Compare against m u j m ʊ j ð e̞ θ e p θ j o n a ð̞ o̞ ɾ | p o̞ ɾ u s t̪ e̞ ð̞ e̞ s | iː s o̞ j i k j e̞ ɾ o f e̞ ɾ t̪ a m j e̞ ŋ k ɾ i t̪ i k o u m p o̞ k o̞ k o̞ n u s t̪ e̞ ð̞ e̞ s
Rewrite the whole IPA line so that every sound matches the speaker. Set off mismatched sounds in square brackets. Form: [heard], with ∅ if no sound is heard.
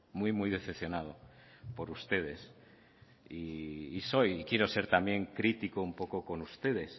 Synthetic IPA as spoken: m u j m [u] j ð e̞ θ e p θ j o n a ð̞ o̞ [∅] | p o̞ ɾ u s t̪ e̞ ð̞ e̞ s | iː s o̞ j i k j e̞ ɾ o [s] e̞ ɾ t̪ a m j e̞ ŋ k ɾ i t̪ i k o u m p o̞ k o̞ k o̞ n u s t̪ e̞ ð̞ e̞ s